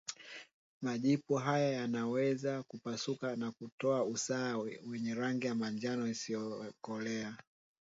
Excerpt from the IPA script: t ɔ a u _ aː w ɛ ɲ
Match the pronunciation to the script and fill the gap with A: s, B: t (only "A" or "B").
A